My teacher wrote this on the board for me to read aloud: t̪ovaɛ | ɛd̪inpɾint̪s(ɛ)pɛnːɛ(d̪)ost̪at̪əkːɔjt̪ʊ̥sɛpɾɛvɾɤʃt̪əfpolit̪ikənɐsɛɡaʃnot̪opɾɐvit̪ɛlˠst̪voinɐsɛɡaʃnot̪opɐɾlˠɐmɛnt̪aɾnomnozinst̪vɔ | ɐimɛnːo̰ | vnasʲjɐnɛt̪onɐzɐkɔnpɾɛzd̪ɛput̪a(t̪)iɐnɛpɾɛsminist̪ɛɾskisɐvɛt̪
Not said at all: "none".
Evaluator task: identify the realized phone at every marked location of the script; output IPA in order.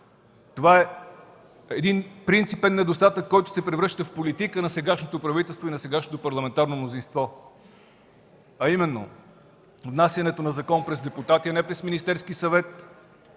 i, d̪, t̪

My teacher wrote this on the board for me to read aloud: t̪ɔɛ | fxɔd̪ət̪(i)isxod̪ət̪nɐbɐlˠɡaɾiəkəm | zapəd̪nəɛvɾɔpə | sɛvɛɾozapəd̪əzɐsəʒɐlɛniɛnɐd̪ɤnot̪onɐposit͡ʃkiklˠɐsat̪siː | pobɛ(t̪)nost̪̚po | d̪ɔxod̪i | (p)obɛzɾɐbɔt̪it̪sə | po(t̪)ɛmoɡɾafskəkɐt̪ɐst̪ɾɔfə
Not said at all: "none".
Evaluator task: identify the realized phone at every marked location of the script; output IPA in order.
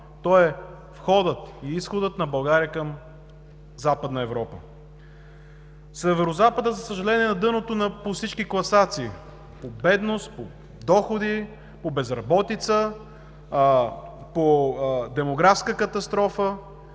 i, d̪, p, d̪

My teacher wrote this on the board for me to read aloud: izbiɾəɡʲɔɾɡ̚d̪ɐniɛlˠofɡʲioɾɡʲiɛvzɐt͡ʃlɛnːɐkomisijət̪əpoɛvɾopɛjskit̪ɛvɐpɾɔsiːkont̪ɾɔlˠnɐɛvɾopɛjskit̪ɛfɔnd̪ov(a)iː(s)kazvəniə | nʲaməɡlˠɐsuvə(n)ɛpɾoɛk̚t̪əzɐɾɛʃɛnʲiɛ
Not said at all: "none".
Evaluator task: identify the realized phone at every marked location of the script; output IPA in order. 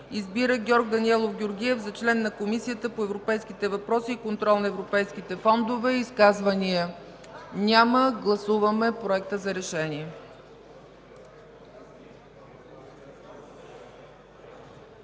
ɛ, s, m

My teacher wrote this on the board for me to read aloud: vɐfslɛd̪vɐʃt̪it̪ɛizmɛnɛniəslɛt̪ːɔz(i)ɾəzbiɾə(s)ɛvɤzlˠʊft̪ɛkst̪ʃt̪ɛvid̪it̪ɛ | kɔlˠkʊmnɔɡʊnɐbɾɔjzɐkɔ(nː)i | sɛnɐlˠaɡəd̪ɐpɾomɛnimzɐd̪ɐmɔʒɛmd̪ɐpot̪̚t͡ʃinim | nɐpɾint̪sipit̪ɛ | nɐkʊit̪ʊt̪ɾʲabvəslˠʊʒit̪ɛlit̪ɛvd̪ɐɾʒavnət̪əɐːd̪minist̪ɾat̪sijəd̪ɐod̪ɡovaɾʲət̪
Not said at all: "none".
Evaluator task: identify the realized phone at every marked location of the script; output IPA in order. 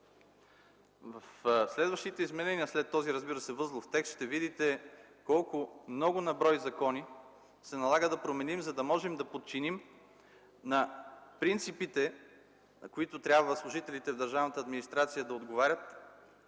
i, s, n

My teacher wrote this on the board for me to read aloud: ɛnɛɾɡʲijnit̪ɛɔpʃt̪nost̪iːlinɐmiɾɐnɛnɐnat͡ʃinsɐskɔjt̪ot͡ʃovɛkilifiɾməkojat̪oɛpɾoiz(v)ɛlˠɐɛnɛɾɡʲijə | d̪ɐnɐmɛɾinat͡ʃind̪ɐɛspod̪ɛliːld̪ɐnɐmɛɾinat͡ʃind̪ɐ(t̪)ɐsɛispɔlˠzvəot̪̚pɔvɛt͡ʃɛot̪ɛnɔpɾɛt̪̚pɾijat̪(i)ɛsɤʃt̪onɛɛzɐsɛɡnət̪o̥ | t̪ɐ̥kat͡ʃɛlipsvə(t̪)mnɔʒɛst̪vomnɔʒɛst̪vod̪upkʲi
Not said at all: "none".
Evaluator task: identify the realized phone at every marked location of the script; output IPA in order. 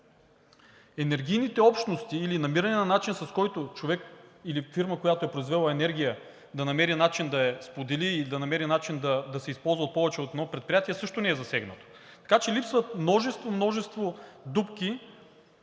v, d̪, i, t̪

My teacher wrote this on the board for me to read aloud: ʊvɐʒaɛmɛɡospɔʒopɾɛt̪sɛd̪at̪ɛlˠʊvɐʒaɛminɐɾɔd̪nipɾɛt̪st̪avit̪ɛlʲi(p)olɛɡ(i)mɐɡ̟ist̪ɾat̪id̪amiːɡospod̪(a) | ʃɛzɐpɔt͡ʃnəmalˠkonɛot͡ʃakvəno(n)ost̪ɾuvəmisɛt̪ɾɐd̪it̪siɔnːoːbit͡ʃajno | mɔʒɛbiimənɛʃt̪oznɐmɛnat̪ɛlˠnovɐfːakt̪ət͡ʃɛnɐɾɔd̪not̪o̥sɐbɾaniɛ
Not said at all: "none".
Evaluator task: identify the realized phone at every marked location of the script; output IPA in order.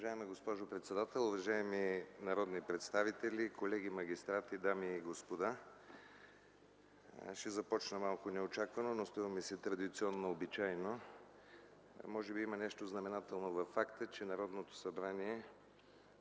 k, i, a, n

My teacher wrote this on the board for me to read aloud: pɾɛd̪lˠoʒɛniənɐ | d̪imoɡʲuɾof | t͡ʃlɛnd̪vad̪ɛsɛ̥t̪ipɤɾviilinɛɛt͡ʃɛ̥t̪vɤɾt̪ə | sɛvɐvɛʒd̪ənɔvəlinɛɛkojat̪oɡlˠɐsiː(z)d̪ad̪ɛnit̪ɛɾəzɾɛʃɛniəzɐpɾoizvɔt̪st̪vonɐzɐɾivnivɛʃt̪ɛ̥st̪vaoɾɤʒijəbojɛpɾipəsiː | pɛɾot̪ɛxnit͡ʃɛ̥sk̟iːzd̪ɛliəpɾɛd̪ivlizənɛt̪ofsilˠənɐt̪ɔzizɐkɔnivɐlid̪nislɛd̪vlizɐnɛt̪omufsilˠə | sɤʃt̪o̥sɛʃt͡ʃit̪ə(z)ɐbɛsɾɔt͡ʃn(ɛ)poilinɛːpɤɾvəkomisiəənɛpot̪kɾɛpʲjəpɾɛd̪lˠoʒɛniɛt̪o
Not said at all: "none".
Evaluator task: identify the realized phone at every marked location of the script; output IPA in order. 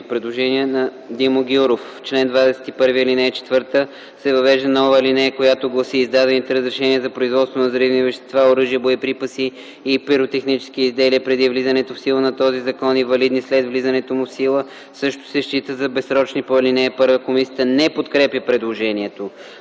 z, z, i

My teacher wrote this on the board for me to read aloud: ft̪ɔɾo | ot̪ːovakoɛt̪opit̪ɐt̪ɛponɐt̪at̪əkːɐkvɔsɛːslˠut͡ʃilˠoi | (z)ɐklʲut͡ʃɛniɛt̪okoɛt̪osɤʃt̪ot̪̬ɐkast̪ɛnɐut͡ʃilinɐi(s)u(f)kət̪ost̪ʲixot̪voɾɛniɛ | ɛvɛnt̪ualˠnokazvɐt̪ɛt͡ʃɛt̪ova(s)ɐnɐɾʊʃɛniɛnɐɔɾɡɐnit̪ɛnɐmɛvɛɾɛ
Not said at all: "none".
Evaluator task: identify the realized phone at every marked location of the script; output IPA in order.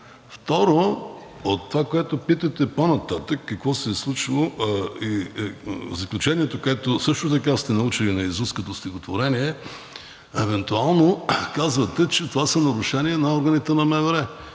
z, z, s, s

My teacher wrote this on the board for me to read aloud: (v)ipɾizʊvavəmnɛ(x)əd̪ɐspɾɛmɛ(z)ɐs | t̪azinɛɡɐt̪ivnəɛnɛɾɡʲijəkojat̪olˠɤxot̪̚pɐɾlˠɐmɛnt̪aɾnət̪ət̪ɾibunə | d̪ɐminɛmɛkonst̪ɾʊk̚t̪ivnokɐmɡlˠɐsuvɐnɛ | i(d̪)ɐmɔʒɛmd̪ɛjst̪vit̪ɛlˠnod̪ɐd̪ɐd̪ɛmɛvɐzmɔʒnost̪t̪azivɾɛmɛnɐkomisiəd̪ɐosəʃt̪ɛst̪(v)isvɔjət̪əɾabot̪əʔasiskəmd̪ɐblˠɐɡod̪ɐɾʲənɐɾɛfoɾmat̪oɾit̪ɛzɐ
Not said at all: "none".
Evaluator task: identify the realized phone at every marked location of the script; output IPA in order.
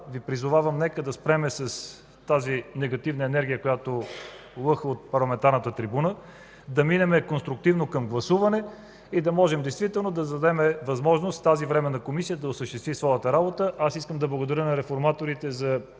v, k, s, d̪, v

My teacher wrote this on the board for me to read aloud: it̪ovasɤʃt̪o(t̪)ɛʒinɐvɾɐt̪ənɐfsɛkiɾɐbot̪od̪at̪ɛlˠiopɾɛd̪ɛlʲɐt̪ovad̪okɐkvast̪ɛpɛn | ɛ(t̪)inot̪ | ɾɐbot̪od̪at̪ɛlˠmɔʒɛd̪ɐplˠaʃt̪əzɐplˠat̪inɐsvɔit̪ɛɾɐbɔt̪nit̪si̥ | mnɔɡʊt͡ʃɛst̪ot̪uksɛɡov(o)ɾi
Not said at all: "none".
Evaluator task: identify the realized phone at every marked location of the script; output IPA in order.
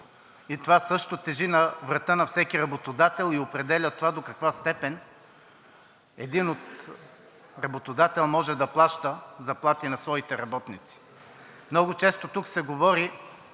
t̪, d̪, ɔ

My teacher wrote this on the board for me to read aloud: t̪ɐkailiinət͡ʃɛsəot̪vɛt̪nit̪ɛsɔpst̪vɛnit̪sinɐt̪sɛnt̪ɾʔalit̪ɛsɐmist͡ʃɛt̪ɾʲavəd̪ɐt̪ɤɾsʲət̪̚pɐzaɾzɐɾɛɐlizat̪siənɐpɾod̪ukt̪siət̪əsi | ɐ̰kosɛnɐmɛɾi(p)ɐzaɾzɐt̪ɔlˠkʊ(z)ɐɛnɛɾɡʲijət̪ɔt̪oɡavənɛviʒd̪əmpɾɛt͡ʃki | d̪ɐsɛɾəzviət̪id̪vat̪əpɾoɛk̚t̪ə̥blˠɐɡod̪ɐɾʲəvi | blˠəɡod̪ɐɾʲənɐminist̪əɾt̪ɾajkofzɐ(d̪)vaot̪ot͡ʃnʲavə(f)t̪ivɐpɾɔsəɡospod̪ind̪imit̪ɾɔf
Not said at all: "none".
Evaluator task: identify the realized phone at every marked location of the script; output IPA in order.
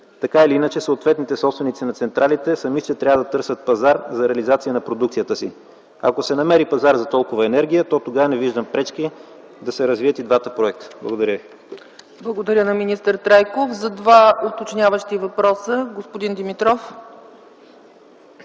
p, v, d̪, ʃ

